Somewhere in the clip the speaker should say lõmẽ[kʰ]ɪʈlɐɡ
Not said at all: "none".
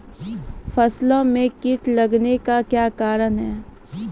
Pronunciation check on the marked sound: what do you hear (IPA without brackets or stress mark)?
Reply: k